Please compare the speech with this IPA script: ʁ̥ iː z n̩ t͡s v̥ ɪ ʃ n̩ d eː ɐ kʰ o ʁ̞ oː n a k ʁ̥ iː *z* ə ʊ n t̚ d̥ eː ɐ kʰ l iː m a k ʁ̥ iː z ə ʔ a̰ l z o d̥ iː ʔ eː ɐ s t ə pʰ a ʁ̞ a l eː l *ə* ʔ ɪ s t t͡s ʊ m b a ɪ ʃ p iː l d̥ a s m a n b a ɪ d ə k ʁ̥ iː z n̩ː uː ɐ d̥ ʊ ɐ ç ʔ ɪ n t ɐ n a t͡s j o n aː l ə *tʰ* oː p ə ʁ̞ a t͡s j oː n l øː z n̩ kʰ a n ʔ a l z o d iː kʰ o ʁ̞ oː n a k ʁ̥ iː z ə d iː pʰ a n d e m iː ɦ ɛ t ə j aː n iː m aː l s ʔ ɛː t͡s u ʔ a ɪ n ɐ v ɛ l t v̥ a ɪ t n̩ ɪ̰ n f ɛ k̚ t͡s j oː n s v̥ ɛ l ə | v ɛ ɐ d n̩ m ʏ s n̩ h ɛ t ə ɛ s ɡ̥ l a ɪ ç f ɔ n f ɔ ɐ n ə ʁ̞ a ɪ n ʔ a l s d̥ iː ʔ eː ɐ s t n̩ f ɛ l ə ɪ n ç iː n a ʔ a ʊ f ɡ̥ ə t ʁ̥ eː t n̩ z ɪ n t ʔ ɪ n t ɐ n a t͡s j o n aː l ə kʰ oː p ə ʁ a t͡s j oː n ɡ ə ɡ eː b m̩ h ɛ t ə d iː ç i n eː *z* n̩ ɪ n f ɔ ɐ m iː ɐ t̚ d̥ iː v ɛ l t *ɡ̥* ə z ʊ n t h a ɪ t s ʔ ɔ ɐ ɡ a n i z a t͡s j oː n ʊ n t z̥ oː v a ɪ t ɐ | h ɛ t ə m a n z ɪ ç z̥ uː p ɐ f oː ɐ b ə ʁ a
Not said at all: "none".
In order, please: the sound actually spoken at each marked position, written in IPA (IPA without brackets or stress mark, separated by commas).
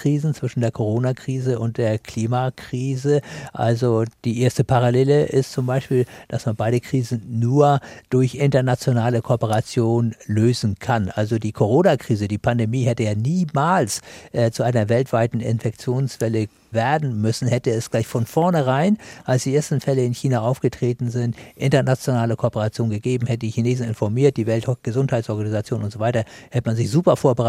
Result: z, ə, kʰ, z, ɡ̥